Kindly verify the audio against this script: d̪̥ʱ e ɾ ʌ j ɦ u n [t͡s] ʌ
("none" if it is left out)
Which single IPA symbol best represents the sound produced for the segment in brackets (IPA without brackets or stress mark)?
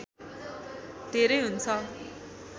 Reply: t͡sʰ